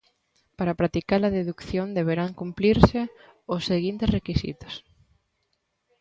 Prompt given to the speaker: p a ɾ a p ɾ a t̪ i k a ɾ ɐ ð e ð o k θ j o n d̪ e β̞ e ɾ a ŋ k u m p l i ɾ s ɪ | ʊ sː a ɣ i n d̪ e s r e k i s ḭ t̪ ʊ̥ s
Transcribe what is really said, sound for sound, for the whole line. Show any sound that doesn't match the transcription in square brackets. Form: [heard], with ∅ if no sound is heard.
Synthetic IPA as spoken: p a ɾ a p ɾ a t̪ i k a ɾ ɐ ð e ð [u] k θ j o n d̪ e β̞ e ɾ a ŋ k u m p l i ɾ s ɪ | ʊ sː [e] ɣ i n [t̪] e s r e k i s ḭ t̪ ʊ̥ s